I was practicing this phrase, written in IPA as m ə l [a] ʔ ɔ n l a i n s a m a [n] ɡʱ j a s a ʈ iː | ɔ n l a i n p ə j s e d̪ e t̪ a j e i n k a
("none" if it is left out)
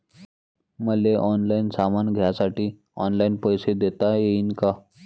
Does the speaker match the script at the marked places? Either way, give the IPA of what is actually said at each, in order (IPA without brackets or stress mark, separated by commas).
e, n